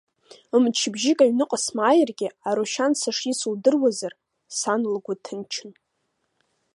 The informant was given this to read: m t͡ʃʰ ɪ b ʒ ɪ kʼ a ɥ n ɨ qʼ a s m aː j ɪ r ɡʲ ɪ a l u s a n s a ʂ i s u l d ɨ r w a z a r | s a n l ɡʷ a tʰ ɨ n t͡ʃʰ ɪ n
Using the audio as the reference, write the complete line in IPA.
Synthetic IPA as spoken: m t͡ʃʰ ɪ b ʒ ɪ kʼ a ɥ n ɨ qʼ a s m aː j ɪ r ɡʲ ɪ a ɾ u ʃ a n s a ʂ i s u l d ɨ r w a z a r | s a n l ɡʷ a tʰ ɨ n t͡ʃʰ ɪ n